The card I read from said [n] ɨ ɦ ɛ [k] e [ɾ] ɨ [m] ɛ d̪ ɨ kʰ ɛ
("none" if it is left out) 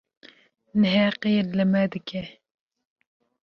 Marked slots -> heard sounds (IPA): n, q, l, m

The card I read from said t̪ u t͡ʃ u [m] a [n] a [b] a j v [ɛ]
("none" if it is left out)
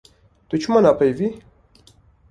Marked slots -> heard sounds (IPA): m, n, p, i

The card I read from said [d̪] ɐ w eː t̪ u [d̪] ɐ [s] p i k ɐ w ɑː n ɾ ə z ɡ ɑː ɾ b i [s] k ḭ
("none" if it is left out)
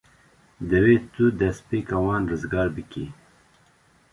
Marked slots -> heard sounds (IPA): d̪, d̪, s, none

